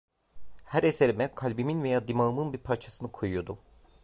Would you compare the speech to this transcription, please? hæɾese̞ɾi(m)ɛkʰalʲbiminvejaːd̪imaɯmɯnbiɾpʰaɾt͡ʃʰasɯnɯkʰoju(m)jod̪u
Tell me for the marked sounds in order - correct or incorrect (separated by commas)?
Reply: correct, incorrect